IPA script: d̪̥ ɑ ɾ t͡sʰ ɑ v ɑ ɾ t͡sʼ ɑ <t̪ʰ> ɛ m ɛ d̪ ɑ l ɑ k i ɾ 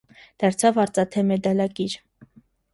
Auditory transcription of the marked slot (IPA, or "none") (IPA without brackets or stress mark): t̪ʰ